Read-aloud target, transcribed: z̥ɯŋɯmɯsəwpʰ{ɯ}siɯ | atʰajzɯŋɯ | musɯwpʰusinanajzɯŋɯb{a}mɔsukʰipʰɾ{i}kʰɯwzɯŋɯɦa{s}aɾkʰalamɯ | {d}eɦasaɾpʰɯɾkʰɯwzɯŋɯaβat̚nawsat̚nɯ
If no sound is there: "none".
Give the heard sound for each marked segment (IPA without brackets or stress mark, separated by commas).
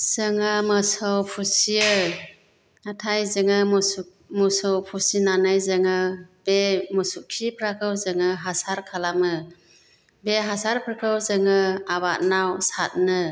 u, e, a, s, b